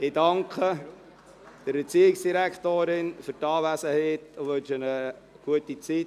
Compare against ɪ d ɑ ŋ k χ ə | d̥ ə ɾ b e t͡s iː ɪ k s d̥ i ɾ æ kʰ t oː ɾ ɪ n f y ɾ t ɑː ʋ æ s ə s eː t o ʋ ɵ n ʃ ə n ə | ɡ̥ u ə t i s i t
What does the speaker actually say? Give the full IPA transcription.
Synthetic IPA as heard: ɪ d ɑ ŋ k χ ə | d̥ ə ɾ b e t͡s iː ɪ k s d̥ i ɾ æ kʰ t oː ɾ ɪ n f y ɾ t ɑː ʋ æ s ə h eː t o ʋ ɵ n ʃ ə n ə | ɡ̥ u ə t i t͡s i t